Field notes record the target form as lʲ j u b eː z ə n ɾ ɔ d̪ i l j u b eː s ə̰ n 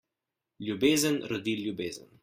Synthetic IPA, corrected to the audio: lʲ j u b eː z ə n ɾ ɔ d̪ i l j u b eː z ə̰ n